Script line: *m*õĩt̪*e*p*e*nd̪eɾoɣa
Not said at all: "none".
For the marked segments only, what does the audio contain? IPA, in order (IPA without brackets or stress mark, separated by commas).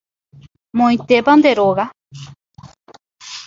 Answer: m, e, a